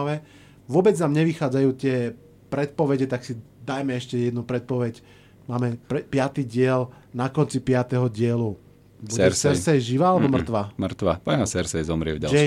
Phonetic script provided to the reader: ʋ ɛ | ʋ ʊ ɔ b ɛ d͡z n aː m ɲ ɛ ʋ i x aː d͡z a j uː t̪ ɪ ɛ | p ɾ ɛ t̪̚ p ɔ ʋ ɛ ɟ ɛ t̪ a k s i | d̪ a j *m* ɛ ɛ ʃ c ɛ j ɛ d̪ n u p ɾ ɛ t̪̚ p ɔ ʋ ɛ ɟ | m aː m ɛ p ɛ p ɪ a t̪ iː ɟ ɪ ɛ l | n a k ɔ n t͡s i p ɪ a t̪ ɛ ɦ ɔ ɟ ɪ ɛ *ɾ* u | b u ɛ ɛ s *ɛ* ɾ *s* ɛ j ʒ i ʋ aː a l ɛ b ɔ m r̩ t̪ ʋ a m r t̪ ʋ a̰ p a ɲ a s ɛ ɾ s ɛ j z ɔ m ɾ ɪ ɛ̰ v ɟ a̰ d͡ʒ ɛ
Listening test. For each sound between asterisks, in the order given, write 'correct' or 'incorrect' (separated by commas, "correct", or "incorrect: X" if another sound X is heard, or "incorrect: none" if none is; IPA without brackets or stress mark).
correct, incorrect: l, correct, correct